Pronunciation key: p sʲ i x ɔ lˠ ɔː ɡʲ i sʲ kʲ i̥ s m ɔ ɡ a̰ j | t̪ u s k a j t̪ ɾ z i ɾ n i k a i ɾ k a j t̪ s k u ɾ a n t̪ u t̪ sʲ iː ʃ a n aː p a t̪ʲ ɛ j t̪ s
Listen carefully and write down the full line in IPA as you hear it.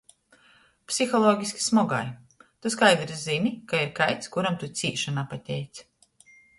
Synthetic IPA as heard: p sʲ i x ɔ lˠ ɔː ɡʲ i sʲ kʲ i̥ s m ɔ ɡ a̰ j | t̪ u s k a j d̪ ɾ z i n i k a i ɾ k a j t̪ s k u ɾ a m t̪ u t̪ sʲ iː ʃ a n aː p a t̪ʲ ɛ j t̪ s

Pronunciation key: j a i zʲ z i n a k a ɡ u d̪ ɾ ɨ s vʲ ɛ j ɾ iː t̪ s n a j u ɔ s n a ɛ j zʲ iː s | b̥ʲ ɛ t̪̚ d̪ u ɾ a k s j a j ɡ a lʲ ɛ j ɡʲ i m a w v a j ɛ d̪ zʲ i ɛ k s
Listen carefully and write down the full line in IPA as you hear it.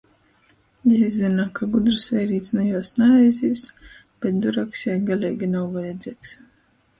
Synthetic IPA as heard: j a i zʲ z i n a k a ɡ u d̪ ɾ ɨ s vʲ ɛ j ɾ iː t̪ s n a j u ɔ s n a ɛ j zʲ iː s | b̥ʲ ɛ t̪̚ d̪ u ɾ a k s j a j ɡ a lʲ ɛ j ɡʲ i n a w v a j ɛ d̪ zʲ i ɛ k s

